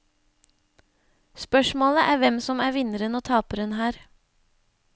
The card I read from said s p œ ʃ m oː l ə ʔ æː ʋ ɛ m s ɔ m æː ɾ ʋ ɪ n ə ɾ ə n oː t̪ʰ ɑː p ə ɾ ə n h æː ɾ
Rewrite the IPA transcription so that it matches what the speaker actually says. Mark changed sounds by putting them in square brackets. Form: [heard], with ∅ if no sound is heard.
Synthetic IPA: s p œ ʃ m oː l ə ʔ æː ʋ ɛ m s ɔ m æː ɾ ʋ ɪ n ə ɾ ə n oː t̪ʰ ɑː p ə ɾ ə n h æː ɾ